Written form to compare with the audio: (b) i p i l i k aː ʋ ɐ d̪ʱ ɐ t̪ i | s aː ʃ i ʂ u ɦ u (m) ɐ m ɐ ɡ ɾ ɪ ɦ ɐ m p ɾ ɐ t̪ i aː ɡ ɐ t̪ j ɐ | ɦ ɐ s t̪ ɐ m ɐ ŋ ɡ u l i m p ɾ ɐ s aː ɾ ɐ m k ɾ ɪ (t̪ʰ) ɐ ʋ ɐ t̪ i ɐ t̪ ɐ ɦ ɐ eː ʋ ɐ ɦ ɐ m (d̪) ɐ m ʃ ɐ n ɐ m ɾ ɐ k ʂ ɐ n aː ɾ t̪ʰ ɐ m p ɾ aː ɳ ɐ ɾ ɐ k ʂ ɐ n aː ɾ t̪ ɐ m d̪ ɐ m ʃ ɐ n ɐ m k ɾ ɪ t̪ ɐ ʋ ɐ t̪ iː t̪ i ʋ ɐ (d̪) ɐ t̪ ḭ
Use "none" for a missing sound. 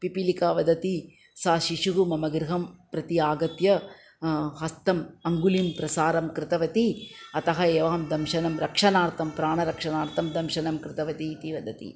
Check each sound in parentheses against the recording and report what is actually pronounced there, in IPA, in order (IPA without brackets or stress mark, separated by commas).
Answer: p, m, t̪, d̪, d̪